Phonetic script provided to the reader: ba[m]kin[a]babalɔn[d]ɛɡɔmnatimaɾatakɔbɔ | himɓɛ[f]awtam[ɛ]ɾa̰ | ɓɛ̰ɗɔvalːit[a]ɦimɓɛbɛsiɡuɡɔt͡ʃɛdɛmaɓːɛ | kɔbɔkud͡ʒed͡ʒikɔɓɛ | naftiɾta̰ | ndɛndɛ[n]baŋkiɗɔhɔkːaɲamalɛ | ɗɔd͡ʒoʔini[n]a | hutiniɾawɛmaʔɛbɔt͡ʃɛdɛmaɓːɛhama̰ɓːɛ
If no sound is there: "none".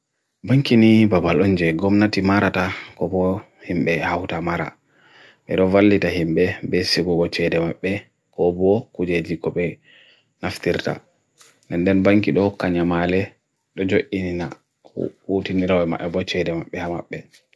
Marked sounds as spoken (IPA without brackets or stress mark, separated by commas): ŋ, i, d͡ʒ, h, a, a, n, n